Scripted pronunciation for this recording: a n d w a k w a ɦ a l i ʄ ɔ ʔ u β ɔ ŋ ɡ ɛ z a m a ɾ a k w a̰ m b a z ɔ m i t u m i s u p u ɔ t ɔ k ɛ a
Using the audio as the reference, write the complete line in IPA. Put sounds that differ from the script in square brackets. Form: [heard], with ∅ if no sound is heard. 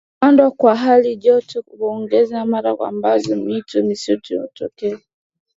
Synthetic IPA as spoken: a n d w a k w a ɦ a l i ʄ ɔ [t] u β ɔ ŋ ɡ ɛ z a m a ɾ a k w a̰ m b a z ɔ m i t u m i s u [t] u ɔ t ɔ k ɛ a